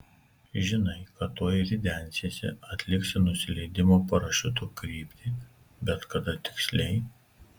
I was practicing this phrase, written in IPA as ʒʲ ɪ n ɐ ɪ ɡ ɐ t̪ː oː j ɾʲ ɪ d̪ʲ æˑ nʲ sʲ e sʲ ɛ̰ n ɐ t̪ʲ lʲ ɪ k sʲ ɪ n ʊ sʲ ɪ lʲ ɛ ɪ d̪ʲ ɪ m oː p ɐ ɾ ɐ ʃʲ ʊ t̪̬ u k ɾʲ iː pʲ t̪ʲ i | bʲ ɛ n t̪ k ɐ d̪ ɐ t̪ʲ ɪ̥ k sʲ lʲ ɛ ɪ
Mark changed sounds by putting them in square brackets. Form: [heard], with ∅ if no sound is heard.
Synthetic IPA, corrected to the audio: ʒʲ ɪ n ɐ ɪ [k] ɐ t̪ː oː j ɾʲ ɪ d̪ʲ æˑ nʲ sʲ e sʲ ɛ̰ [∅] ɐ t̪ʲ lʲ ɪ k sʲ ɪ n ʊ sʲ ɪ lʲ ɛ ɪ d̪ʲ ɪ m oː p ɐ ɾ ɐ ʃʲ ʊ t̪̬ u k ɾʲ iː pʲ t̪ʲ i | bʲ ɛ [∅] t̪ k ɐ d̪ ɐ t̪ʲ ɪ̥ k sʲ lʲ ɛ ɪ